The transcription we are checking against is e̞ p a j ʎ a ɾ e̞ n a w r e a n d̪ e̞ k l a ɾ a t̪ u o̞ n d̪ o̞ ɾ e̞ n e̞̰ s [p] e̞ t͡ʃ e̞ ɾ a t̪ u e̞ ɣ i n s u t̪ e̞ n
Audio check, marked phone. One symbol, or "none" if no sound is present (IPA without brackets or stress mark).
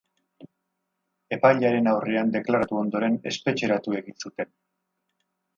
p